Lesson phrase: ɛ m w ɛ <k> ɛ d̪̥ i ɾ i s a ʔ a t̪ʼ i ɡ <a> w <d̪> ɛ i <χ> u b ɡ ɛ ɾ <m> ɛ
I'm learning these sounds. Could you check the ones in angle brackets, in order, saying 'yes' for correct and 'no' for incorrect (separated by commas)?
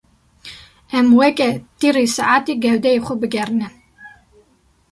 no, no, yes, yes, no